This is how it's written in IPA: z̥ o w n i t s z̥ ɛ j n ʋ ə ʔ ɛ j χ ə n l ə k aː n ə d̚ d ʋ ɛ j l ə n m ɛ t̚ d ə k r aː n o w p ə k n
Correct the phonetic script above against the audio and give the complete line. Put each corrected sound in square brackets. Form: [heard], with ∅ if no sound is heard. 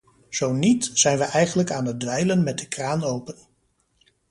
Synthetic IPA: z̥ o w n i t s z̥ ɛ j n ʋ ə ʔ ɛ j χ ə n l ə k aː n ə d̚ d ʋ ɛ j l ə n m ɛ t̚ d ə k r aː n o w p ə [∅] n